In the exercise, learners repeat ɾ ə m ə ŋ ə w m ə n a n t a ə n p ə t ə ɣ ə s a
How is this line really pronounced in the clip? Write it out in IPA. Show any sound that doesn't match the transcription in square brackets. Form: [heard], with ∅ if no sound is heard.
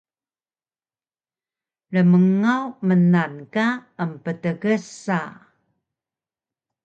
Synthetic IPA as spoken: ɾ ə m ə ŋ [a] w m ə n a n [k] a ə [m] p ə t ə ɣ ə s a